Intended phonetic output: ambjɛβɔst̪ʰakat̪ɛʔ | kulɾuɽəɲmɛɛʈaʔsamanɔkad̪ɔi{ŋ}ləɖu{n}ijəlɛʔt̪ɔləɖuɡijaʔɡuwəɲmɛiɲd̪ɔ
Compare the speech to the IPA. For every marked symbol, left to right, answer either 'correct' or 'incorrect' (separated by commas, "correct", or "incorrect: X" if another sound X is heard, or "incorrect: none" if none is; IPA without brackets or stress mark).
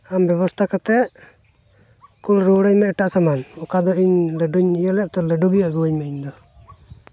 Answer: incorrect: ɲ, incorrect: ɲ